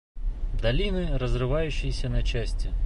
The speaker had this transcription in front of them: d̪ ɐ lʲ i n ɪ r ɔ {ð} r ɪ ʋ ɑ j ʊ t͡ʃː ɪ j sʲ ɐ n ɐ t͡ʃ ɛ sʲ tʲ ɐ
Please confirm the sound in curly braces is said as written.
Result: no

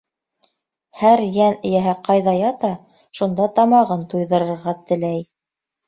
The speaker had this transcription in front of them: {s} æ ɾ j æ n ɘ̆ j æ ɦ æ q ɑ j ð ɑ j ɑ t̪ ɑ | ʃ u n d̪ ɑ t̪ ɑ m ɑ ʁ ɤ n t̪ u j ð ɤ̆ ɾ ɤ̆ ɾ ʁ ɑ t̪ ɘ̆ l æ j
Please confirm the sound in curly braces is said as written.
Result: no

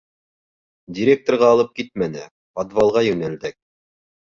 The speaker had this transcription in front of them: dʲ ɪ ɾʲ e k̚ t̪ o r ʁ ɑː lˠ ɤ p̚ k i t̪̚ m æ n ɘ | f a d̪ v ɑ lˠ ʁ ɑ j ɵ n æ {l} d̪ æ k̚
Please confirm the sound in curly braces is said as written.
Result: yes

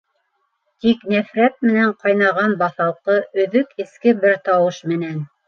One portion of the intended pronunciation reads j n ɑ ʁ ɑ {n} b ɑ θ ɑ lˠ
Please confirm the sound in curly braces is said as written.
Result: yes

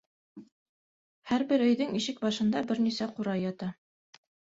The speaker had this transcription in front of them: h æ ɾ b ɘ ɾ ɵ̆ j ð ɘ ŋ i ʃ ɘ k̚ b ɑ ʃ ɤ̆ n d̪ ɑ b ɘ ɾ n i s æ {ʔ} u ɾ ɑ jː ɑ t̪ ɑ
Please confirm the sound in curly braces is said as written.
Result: no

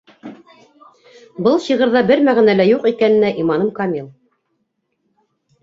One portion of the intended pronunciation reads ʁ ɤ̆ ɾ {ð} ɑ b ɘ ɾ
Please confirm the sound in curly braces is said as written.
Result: yes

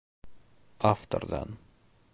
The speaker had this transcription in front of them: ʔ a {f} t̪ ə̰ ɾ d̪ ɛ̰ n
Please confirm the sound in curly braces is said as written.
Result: yes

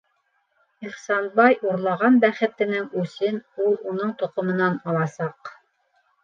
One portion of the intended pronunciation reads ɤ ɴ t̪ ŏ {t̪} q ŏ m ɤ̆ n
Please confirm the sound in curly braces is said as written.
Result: no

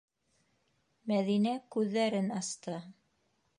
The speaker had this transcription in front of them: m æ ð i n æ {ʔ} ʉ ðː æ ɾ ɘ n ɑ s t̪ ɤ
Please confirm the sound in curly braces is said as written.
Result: no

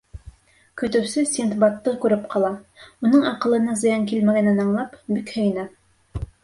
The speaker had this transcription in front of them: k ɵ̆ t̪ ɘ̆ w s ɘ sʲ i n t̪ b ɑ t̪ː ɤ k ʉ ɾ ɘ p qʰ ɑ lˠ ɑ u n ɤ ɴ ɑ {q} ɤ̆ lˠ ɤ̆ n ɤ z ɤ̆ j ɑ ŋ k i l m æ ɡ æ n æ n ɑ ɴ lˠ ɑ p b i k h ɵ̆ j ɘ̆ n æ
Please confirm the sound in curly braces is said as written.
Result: yes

